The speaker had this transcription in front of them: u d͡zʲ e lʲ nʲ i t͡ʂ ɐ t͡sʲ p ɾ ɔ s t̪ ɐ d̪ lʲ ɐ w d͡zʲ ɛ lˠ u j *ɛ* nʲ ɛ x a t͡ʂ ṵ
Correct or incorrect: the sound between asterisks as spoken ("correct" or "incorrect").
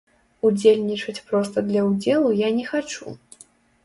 incorrect